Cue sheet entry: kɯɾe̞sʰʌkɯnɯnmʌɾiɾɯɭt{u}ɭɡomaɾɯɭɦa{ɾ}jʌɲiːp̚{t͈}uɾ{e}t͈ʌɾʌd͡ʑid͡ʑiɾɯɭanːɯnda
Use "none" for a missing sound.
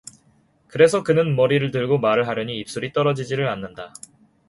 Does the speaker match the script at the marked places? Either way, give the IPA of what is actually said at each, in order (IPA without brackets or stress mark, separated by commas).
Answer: ɯ, ɾ, s͈, i